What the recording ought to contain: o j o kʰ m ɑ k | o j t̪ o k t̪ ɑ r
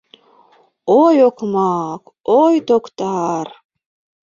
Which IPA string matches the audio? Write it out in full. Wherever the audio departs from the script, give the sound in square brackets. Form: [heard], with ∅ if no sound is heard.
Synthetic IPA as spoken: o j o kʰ m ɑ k | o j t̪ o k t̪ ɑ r